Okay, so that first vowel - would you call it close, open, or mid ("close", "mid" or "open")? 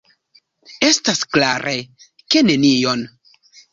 mid